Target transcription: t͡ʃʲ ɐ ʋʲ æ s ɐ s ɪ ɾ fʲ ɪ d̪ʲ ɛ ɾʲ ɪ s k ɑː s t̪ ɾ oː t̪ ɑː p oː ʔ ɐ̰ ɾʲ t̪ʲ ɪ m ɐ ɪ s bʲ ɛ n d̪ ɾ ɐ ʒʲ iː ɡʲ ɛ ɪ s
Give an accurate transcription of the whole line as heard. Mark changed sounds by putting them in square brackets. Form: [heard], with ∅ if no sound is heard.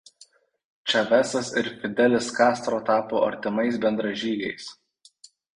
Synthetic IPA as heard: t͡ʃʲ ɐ ʋʲ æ s ɐ s ɪ ɾ fʲ ɪ d̪ʲ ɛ [lʲ] ɪ s k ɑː s t̪ ɾ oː t̪ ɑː p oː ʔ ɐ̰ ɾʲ t̪ʲ ɪ m ɐ ɪ s bʲ ɛ n d̪ ɾ ɐ ʒʲ iː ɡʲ ɛ ɪ s